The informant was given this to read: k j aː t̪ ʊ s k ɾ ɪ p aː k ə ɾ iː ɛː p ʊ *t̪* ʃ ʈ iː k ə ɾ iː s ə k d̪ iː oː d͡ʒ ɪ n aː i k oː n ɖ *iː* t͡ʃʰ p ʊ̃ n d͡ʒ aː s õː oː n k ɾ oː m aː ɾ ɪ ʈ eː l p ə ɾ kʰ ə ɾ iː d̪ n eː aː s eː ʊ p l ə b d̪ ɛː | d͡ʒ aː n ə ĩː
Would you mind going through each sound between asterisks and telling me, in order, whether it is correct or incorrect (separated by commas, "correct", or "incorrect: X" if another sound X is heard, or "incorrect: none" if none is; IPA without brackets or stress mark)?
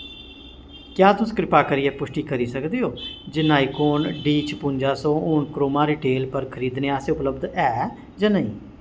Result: incorrect: none, correct